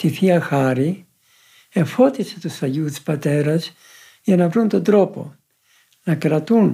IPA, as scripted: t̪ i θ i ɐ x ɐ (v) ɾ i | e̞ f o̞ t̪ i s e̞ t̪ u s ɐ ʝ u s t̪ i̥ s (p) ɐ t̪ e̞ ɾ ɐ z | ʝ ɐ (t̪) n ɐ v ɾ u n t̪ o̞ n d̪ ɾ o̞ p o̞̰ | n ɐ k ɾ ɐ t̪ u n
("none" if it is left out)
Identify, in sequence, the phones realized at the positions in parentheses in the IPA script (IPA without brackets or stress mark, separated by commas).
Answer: none, p, none